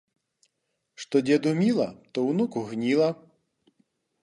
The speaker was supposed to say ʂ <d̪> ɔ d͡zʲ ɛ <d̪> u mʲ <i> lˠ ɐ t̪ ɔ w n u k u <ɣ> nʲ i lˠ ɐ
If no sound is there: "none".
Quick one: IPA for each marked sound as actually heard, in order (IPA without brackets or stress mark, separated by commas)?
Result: t̪, d̪, i, ɣ